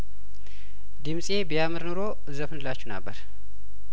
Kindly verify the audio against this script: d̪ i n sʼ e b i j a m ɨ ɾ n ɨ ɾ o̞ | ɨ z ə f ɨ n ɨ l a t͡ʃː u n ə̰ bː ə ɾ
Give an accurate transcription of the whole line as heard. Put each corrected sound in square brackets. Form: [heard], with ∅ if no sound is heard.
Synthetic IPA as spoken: d̪ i [m] sʼ e b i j a m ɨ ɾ n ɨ ɾ o̞ | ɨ z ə f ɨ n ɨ l a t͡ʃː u n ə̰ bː ə ɾ